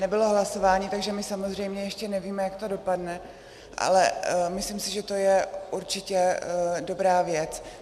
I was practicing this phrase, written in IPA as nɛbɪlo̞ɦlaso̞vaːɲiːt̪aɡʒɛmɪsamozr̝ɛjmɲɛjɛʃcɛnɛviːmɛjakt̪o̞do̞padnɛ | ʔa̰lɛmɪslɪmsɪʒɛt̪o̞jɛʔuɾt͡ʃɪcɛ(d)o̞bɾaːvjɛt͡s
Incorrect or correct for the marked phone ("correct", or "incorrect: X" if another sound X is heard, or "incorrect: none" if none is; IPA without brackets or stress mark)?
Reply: correct